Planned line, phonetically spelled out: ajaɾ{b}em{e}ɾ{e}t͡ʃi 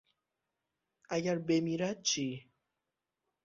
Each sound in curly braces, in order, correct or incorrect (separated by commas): correct, incorrect, incorrect